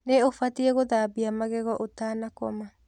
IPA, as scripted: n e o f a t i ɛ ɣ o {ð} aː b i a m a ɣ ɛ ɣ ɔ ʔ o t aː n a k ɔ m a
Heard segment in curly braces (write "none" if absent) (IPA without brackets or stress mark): ð